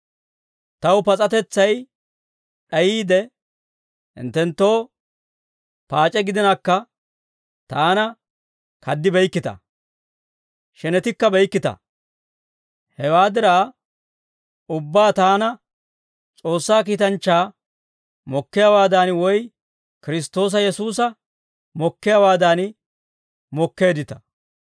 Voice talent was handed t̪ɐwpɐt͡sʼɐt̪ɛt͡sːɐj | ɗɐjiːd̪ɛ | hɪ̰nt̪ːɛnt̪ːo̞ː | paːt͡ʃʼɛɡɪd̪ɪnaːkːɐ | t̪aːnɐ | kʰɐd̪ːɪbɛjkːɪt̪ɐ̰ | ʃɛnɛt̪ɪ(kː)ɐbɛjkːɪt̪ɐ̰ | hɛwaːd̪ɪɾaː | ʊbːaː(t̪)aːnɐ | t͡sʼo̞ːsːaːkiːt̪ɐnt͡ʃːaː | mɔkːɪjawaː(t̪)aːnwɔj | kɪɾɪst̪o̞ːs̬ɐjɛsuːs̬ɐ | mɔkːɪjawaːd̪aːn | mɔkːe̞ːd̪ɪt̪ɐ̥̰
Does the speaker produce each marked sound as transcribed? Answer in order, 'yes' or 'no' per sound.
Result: yes, yes, no

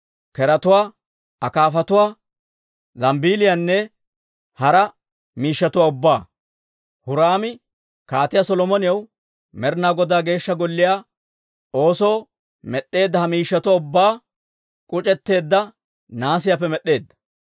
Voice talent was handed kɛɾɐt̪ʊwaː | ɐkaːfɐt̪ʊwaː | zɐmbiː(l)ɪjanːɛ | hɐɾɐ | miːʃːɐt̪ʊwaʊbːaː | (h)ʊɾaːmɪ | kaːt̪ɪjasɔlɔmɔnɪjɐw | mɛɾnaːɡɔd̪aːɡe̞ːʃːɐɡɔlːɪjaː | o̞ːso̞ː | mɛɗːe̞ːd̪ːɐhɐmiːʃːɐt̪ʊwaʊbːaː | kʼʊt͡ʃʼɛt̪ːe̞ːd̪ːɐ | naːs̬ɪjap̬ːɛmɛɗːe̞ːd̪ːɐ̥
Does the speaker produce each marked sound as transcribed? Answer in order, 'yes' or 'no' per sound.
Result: yes, yes

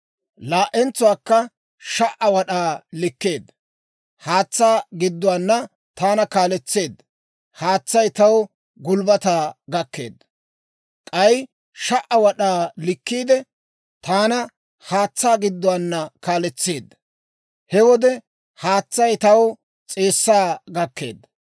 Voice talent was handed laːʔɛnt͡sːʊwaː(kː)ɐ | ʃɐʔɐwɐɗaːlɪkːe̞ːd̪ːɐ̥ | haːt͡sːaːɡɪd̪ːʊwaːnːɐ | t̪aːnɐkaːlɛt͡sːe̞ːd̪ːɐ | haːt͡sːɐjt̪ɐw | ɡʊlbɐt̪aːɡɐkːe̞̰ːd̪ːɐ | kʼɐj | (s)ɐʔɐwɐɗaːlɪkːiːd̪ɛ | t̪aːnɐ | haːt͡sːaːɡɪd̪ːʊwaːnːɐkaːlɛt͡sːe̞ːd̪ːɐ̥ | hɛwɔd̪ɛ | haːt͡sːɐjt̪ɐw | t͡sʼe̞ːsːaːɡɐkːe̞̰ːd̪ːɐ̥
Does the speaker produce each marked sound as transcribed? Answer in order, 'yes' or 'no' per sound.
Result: yes, no

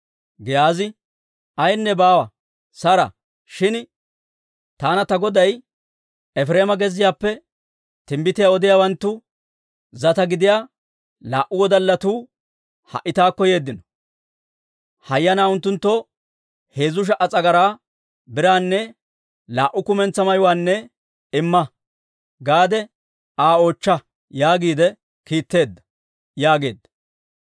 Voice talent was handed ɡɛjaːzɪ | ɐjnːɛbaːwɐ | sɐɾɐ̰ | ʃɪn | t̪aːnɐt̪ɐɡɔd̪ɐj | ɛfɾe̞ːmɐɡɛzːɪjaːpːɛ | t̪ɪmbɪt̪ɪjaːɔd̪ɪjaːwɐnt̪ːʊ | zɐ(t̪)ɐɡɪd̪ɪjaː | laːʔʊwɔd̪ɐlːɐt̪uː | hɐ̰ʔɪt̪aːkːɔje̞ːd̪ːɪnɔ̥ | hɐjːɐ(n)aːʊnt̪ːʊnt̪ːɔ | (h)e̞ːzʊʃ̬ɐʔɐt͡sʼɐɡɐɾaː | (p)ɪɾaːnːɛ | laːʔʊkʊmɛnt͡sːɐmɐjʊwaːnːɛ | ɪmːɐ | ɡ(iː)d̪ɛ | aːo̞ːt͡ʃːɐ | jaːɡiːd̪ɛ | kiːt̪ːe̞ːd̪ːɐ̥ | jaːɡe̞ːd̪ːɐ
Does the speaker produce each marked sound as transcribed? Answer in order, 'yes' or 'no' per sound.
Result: yes, yes, yes, no, no

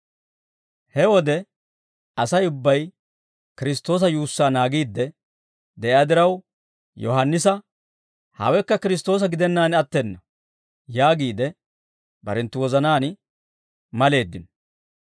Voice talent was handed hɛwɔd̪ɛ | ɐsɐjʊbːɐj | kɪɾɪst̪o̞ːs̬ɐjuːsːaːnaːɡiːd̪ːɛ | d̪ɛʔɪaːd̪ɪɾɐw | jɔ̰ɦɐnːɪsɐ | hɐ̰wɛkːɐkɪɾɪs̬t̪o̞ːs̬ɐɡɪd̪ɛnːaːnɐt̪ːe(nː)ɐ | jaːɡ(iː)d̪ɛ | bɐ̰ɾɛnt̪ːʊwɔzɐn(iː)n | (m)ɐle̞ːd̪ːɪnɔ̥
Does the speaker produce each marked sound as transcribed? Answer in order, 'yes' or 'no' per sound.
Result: yes, yes, no, yes

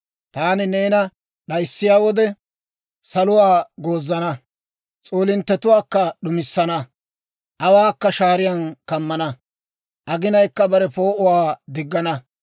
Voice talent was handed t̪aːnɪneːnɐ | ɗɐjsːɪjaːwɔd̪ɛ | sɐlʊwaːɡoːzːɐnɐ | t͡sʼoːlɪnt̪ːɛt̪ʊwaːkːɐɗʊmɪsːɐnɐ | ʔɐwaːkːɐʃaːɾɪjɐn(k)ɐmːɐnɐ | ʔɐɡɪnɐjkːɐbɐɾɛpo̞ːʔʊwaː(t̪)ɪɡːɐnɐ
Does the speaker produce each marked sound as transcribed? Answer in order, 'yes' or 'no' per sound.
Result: yes, no

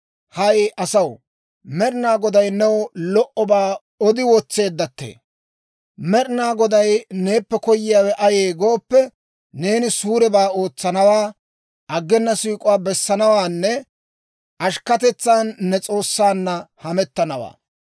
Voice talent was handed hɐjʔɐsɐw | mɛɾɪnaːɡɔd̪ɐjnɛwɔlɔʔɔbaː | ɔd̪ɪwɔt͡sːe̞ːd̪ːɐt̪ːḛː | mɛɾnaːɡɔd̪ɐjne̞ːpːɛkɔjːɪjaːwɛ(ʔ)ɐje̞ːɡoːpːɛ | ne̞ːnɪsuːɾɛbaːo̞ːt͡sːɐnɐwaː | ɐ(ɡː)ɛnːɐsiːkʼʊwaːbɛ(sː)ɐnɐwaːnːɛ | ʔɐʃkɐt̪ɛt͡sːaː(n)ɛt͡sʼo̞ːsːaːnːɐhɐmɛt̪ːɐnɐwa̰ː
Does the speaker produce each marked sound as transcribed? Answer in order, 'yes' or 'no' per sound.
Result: yes, yes, yes, no

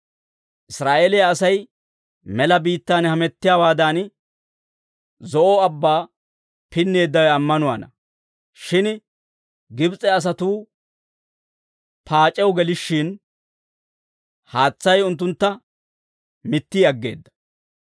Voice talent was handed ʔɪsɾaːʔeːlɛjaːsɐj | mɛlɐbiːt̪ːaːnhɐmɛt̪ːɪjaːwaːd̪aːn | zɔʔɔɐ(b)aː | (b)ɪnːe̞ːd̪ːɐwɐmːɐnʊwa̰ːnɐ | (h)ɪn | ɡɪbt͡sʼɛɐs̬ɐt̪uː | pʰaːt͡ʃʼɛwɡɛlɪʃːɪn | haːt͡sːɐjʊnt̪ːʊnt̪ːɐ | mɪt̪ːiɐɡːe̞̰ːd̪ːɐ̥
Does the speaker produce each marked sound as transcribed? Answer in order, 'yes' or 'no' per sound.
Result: no, no, no

